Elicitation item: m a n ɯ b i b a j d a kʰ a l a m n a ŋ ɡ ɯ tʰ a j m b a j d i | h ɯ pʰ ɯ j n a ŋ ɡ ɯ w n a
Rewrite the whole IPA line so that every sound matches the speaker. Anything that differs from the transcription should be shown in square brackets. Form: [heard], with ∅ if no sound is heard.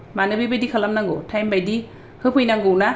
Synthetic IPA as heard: m a n ɯ b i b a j d [i] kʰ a l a m n a ŋ ɡ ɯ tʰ a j m b a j d i | h ɯ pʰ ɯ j n a ŋ ɡ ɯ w n a